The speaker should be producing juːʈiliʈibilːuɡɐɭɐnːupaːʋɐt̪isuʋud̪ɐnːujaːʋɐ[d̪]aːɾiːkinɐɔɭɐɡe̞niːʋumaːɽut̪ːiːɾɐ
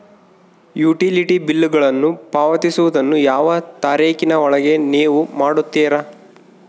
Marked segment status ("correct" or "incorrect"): incorrect